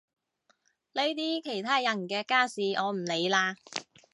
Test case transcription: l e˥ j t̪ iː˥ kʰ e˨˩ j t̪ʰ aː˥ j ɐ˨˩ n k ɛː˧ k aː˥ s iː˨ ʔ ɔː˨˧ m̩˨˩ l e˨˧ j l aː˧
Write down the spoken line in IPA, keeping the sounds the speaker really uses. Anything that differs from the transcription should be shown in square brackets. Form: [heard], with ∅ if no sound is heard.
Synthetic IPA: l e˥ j t̪ iː˥ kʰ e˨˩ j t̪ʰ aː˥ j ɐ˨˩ n k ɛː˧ k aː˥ s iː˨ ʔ ɔː˨˧ m̩˨˩ l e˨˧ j l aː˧